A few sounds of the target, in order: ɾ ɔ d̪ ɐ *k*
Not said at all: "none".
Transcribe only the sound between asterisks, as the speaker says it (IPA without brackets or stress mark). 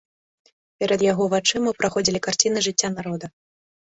none